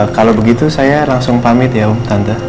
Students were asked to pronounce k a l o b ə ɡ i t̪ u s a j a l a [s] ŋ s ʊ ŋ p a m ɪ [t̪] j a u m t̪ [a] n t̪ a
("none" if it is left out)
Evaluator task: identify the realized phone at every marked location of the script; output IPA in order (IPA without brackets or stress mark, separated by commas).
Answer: none, t̪, a